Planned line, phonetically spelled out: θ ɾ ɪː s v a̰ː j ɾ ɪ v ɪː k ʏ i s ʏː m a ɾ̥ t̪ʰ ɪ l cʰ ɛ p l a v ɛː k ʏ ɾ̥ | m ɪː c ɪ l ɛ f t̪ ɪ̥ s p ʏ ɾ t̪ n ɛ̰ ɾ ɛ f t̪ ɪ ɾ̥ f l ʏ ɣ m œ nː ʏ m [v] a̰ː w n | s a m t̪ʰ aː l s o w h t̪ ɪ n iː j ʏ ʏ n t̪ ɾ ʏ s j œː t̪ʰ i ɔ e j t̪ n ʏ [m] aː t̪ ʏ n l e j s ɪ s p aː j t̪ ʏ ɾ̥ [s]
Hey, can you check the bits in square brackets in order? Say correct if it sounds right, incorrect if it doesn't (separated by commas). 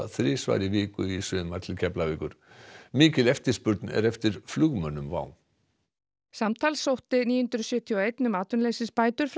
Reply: correct, correct, incorrect